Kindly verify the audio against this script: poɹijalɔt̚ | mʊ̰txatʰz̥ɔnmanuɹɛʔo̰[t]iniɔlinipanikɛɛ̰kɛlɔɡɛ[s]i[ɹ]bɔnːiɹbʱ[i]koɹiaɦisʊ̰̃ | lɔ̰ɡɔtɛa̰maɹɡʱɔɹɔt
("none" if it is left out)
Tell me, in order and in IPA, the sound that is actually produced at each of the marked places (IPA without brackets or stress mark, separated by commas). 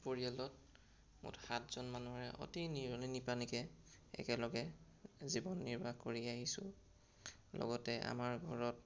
t, z, none, a